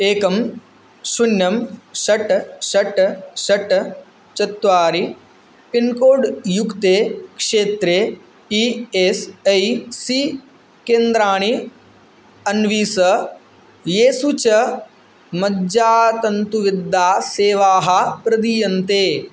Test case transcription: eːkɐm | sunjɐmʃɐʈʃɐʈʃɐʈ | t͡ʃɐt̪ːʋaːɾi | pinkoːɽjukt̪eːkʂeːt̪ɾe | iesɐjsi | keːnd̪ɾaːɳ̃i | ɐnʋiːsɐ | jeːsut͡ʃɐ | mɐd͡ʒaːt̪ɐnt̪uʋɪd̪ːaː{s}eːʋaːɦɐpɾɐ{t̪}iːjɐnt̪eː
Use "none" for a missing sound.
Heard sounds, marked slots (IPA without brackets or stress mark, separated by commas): s, d̪